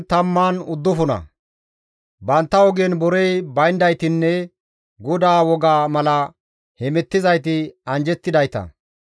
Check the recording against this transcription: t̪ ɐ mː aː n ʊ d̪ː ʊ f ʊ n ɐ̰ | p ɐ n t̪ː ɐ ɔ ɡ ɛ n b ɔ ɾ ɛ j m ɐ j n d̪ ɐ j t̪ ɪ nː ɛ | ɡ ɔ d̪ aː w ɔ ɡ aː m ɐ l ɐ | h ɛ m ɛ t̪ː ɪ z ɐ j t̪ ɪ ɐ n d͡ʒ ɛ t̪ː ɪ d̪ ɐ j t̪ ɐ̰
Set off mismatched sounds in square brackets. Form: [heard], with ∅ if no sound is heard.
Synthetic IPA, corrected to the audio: t̪ ɐ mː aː n ʊ d̪ː ʊ f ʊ n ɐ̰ | [b] ɐ n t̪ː ɐ ɔ ɡ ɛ n b ɔ ɾ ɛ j [b] ɐ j n d̪ ɐ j t̪ ɪ nː ɛ | ɡ ɔ d̪ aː w ɔ ɡ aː m ɐ l ɐ | h ɛ m ɛ t̪ː ɪ z ɐ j t̪ ɪ ɐ n d͡ʒ ɛ t̪ː ɪ d̪ ɐ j t̪ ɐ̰